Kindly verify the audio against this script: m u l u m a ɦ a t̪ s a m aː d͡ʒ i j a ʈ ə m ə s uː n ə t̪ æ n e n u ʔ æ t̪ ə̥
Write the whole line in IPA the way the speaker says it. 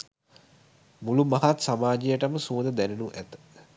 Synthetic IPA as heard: m u l u m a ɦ a t̪ s a m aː d͡ʒ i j ə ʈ ə m ə s uː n ə d̪ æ n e n u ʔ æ t̪ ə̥